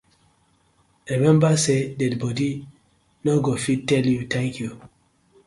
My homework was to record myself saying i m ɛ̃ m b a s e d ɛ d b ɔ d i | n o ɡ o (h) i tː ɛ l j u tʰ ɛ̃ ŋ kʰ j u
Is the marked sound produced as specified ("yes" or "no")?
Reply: no